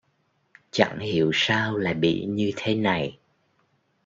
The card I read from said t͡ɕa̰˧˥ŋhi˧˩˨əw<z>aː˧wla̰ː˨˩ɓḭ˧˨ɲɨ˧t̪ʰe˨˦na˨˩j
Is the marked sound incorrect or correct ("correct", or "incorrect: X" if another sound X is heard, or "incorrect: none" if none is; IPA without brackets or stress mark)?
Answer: incorrect: s